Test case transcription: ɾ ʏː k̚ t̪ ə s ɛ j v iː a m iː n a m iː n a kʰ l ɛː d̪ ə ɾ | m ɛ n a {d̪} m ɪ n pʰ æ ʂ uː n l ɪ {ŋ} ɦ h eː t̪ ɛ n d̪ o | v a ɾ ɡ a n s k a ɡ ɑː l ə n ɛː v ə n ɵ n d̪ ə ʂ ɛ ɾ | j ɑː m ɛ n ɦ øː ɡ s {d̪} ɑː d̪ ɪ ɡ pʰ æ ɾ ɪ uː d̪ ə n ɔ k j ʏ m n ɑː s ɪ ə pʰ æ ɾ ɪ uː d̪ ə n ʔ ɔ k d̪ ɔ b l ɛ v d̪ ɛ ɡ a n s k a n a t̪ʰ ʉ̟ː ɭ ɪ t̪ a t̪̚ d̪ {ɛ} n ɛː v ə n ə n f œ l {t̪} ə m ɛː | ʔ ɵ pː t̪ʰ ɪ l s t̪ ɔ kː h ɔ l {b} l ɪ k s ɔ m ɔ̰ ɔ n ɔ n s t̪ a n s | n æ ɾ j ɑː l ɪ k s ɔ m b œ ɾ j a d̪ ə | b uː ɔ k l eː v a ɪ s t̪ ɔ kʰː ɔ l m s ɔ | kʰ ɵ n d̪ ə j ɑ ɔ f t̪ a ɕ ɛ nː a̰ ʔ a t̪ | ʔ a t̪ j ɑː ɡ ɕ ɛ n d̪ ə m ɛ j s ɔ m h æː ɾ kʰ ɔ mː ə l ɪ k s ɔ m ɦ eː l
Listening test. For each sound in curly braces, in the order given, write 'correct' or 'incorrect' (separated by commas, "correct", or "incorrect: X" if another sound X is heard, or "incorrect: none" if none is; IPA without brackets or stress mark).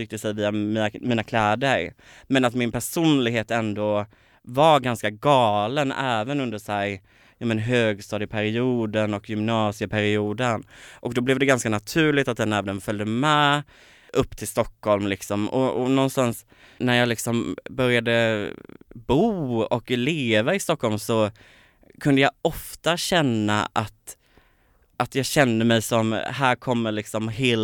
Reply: incorrect: t̪, incorrect: ɡ, incorrect: t̪, correct, incorrect: d̪, incorrect: m